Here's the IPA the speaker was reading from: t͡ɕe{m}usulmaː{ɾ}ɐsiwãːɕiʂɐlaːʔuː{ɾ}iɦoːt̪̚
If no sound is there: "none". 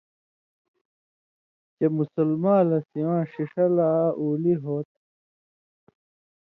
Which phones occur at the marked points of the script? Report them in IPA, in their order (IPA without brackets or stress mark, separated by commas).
m, l, l